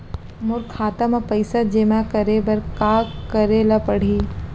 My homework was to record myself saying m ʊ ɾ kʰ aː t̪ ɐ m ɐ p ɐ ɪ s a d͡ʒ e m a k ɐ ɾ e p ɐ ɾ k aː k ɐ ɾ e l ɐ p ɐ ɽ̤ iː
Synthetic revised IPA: m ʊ ɾ kʰ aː t̪ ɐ m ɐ p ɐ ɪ s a d͡ʒ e m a k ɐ ɾ e b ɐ ɾ k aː k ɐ ɾ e l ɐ p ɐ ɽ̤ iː